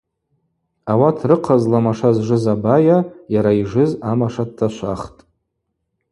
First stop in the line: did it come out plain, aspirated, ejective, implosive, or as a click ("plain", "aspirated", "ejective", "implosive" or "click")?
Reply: aspirated